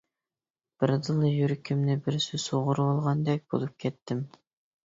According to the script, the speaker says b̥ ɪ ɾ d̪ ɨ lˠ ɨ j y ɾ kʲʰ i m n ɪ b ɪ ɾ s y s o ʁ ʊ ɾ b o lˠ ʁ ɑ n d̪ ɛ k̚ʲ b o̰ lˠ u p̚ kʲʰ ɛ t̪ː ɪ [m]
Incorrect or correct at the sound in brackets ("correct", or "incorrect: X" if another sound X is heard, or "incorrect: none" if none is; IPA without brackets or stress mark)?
correct